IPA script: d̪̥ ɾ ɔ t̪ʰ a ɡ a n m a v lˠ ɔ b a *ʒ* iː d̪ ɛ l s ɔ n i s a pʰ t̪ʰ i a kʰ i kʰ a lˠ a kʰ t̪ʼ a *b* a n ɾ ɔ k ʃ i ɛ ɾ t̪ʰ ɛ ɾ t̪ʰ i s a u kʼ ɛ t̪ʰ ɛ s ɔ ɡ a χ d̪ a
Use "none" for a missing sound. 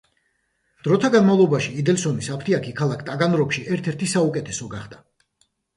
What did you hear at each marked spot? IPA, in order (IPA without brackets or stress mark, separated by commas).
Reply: ʃ, ɡ